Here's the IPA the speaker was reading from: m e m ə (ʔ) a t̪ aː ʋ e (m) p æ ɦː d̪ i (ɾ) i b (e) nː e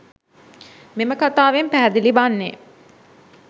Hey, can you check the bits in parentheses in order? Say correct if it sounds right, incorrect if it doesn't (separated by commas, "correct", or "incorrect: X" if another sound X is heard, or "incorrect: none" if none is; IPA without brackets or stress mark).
incorrect: k, correct, incorrect: l, incorrect: a